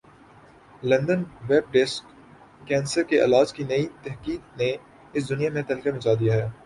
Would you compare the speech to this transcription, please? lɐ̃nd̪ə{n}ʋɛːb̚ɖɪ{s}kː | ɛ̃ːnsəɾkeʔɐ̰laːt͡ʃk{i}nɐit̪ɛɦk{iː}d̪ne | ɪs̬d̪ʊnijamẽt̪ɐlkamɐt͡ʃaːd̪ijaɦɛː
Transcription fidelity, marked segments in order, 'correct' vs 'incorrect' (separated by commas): correct, correct, correct, correct